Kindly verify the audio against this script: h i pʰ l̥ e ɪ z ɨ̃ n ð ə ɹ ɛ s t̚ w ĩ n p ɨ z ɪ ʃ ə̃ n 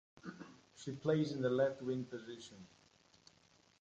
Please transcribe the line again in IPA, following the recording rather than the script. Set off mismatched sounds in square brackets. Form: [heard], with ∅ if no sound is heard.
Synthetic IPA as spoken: [ʃ] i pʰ l̥ e ɪ z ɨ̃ n ð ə [l] ɛ [f] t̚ w [ɪ̃] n p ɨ z ɪ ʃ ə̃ n